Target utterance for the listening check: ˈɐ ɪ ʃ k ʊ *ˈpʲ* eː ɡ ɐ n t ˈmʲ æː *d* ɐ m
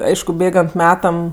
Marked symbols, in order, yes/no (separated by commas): no, no